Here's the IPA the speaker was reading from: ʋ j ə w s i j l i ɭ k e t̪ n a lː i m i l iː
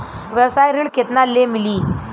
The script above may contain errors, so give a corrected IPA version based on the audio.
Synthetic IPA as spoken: ʋ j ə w s a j ɾ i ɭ k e t̪ n a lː e m i l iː